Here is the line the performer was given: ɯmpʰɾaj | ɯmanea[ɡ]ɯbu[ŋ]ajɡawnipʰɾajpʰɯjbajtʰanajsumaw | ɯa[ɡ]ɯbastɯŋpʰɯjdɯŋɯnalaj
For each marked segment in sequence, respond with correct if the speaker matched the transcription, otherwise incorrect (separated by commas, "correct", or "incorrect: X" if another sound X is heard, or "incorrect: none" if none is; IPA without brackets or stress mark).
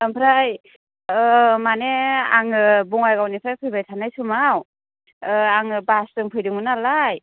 incorrect: ŋ, correct, incorrect: ŋ